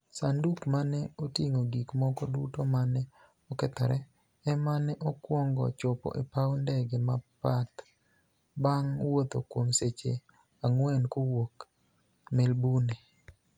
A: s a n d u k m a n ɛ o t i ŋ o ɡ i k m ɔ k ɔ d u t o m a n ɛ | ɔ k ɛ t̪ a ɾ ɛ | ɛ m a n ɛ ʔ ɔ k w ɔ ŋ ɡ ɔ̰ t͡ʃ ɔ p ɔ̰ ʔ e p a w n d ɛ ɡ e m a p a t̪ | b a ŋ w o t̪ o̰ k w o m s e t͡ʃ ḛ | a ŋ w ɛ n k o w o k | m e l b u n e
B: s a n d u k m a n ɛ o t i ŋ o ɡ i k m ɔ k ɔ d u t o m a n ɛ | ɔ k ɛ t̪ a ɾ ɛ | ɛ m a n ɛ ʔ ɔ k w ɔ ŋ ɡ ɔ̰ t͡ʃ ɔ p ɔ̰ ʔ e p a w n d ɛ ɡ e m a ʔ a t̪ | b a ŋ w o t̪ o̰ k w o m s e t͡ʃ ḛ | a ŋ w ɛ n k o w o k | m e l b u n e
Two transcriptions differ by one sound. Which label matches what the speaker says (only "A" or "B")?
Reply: A